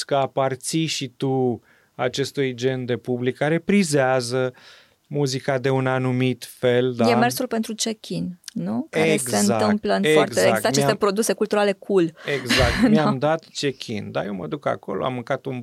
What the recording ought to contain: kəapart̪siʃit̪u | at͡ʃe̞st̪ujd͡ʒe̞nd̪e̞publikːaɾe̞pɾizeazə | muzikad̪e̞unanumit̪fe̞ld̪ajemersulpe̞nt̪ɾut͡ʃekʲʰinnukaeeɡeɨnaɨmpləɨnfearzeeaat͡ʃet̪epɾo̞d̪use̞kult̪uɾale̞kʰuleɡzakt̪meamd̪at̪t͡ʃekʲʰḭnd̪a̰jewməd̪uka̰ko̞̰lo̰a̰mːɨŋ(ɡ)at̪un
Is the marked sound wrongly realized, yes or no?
yes